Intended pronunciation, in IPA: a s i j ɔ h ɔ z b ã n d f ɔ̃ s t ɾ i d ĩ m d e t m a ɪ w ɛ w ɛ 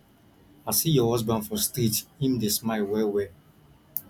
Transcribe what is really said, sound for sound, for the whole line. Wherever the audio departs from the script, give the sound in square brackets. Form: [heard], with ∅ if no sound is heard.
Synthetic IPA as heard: a s i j ɔ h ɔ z b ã n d f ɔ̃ s t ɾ i [t] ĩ m d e [s] m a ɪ w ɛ w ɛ